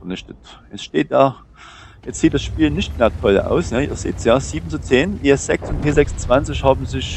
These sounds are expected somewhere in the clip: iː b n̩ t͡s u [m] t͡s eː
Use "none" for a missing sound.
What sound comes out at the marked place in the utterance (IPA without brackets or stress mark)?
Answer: none